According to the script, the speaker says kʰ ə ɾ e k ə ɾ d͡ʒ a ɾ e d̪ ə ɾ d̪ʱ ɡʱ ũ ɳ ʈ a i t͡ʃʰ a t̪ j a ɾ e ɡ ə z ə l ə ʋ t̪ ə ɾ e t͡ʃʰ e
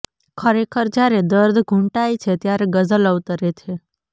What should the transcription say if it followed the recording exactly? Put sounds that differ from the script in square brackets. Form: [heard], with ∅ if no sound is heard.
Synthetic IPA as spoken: kʰ ə ɾ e [kʰ] ə ɾ d͡ʒ a ɾ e d̪ ə ɾ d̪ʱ ɡʱ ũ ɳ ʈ a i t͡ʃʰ [e] t̪ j a ɾ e ɡ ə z ə l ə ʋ t̪ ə ɾ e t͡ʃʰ e